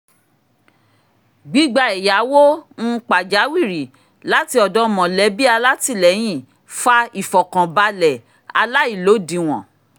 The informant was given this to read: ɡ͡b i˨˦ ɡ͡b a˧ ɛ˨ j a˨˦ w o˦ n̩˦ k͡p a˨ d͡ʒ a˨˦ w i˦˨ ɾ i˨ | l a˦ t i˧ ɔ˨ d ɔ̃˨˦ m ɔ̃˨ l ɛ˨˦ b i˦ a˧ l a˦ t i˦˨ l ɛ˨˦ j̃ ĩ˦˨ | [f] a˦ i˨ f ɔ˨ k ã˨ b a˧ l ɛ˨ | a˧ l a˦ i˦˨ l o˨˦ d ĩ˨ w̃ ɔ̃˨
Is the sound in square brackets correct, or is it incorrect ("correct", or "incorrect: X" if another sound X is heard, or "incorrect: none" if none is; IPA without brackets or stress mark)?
correct